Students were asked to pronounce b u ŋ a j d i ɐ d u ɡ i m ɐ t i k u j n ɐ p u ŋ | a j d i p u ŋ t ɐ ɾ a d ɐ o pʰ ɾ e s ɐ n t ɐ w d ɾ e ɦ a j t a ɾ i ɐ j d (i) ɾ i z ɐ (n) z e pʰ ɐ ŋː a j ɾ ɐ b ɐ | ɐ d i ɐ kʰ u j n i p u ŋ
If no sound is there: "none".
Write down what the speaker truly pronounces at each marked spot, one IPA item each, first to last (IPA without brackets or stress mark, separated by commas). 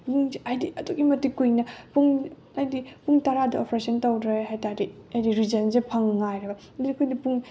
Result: i, n